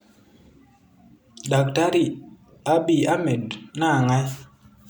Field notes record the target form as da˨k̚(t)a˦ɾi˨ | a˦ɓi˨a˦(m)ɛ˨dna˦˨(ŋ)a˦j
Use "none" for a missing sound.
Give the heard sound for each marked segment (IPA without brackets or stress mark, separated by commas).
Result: t, m, ŋ